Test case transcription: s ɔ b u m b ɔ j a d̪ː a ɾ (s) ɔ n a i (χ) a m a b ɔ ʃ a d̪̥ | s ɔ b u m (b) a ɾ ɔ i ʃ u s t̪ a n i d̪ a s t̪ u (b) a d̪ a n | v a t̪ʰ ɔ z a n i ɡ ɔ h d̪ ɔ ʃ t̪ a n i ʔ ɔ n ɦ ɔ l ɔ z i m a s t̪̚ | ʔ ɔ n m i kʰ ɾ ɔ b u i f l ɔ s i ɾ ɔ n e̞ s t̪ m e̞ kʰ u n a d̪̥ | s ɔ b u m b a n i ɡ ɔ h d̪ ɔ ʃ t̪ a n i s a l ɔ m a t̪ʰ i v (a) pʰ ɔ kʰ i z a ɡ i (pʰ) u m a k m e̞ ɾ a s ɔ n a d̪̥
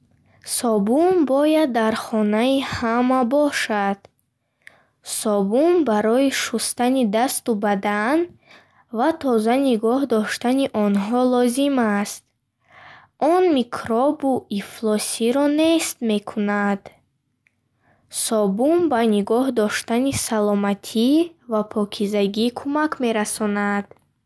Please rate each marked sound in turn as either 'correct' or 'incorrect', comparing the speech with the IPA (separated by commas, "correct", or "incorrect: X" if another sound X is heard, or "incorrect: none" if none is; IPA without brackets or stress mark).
incorrect: χ, incorrect: h, correct, correct, correct, incorrect: kʰ